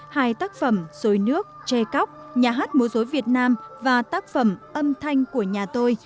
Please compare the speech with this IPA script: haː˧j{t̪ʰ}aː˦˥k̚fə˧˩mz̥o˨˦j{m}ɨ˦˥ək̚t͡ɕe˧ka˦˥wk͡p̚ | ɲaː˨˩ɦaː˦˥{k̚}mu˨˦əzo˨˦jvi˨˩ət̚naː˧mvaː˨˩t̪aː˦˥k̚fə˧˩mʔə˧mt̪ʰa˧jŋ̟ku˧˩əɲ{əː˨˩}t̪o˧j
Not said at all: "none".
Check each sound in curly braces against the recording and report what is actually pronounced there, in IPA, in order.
t̪, n, t̚, aː˨˩

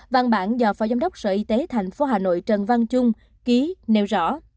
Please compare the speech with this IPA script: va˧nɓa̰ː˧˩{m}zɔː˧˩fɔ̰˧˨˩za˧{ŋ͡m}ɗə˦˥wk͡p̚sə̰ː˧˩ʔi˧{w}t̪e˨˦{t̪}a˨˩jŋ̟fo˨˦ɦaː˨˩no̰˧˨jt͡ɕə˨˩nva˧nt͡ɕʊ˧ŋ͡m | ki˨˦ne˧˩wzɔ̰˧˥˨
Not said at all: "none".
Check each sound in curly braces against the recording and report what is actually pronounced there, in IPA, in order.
n, ŋ͡m, none, t̪ʰ

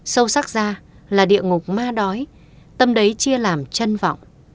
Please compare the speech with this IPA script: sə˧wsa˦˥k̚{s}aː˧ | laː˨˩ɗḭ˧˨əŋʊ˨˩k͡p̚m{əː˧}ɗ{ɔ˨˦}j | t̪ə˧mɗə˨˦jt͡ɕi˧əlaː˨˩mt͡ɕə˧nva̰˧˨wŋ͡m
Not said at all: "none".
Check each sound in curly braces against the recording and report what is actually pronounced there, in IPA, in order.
z, aː˧, ɔ˨˦

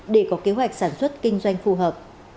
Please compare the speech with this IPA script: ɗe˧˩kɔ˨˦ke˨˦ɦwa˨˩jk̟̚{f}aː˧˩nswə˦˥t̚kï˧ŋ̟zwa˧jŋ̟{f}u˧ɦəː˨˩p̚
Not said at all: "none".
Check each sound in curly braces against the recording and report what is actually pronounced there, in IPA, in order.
s, f

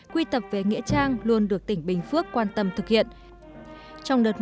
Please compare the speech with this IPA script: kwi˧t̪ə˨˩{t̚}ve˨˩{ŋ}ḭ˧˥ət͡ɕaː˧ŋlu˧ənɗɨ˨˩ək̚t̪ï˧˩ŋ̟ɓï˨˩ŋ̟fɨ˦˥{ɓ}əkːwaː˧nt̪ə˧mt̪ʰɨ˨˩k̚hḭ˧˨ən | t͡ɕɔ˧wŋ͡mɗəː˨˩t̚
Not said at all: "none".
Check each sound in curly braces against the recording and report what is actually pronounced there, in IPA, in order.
p̚, ŋ, none

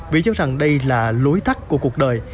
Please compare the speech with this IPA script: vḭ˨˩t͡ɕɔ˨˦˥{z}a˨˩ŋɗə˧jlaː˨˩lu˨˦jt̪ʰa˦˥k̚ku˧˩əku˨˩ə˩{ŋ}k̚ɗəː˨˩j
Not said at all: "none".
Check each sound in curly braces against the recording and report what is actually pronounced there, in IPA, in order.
z, none

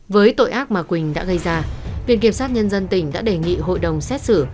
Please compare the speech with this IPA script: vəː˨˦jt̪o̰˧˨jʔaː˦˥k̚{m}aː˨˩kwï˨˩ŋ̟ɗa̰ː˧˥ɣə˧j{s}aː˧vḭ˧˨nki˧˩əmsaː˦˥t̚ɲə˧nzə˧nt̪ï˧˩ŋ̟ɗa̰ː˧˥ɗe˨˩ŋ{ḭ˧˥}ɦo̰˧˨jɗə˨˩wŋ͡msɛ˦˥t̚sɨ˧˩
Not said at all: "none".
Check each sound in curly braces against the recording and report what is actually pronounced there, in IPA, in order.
m, z, ḭ˧˨

